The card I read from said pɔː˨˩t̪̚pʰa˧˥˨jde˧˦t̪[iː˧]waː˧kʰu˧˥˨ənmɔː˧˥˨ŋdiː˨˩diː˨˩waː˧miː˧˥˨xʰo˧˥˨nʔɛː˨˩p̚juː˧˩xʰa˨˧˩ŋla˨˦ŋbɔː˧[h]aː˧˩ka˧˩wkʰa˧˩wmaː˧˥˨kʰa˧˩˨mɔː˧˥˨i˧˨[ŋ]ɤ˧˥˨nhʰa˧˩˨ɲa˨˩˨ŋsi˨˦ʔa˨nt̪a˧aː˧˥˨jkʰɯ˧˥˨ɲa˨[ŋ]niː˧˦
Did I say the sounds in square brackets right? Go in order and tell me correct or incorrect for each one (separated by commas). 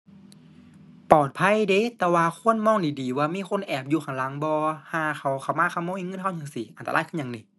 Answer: incorrect, correct, correct, correct